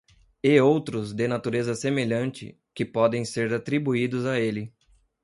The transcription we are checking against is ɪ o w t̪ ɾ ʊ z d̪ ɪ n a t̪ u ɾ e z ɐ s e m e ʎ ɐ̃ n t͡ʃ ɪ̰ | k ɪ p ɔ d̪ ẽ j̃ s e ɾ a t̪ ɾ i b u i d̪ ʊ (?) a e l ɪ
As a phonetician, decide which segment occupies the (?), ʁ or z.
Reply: z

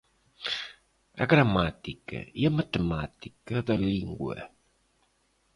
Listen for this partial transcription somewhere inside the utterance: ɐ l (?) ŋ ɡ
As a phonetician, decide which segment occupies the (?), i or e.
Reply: i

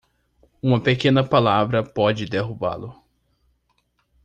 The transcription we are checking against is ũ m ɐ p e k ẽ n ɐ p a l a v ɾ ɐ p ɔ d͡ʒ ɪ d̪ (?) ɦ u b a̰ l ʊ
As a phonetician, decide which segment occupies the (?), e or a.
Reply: e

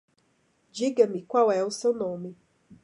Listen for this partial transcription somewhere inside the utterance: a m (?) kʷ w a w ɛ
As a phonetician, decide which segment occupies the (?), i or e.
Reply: i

